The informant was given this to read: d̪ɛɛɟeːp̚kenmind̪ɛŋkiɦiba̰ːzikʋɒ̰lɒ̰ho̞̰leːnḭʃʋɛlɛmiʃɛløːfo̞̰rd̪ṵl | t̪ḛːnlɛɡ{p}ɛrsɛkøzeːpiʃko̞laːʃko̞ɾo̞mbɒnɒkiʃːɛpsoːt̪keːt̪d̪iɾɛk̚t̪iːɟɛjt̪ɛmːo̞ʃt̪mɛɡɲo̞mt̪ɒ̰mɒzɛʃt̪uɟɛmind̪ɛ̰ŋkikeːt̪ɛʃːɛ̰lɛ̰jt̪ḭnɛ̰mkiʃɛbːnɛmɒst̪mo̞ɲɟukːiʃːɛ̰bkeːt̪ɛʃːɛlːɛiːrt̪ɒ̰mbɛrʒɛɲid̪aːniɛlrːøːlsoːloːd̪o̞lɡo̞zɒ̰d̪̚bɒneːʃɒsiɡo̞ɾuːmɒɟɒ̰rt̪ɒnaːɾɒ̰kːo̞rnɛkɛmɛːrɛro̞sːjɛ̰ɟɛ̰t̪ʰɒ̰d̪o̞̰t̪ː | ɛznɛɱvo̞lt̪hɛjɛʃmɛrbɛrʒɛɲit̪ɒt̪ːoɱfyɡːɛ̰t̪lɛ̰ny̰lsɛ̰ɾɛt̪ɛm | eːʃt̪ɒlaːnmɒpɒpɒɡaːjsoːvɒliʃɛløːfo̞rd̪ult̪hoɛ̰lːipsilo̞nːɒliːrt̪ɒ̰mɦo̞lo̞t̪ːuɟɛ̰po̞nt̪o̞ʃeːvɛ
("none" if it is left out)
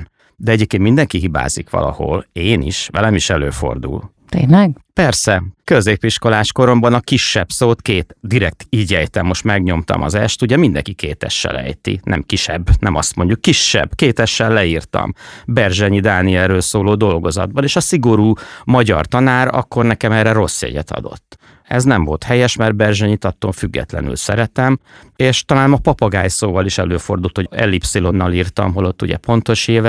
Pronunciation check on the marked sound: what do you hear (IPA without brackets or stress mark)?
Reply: p